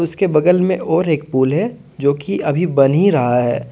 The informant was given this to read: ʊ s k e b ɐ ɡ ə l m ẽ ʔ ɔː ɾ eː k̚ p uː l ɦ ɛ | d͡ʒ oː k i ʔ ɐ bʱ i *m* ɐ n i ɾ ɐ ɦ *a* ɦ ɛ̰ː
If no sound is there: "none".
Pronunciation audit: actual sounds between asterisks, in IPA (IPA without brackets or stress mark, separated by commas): b, a